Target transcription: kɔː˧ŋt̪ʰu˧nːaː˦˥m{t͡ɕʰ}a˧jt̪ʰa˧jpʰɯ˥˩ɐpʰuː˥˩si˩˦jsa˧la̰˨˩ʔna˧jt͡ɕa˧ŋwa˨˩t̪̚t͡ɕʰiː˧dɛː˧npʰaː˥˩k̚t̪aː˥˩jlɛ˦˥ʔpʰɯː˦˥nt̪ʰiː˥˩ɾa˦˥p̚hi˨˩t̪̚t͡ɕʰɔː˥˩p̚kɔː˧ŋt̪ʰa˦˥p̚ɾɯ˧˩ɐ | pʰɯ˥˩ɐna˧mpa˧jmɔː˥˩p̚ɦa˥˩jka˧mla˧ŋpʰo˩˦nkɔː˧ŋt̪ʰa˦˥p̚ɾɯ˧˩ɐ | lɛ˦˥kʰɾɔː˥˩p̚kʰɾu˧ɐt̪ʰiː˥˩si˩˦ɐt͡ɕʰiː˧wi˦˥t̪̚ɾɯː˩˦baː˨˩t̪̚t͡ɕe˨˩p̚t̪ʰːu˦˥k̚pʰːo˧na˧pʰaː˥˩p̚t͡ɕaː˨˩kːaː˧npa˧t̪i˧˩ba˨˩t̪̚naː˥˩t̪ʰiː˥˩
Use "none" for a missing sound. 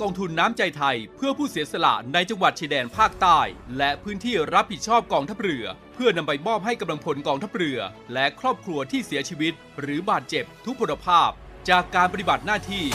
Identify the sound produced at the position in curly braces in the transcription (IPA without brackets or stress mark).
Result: t͡ɕ